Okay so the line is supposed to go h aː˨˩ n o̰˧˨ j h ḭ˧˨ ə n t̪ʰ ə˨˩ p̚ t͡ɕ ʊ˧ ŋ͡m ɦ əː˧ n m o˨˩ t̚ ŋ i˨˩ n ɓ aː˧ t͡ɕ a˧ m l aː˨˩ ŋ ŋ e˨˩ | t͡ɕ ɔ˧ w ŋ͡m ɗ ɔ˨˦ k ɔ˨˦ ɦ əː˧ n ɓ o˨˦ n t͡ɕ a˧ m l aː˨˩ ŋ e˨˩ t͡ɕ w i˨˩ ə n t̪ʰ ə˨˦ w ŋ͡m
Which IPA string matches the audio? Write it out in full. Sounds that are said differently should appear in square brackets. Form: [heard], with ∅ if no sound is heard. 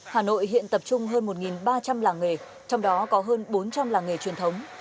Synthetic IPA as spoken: h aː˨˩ n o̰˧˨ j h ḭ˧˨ ə n [t̪] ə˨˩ p̚ t͡ɕ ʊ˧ ŋ͡m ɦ əː˧ n m o˨˩ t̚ ŋ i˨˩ n ɓ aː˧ t͡ɕ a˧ m l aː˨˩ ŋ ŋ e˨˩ | t͡ɕ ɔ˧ w ŋ͡m ɗ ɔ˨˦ k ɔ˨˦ ɦ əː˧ n ɓ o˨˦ n t͡ɕ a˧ m l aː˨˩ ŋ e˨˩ t͡ɕ w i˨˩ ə n t̪ʰ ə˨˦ w ŋ͡m